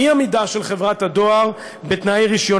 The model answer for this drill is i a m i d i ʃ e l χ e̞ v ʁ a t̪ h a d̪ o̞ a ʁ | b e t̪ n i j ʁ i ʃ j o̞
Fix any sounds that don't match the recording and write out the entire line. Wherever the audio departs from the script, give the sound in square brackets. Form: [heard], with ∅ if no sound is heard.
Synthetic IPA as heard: i a m i d [a] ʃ e l χ e̞ v ʁ a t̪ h a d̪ o̞ a ʁ | b e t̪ n [a] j ʁ i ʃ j o̞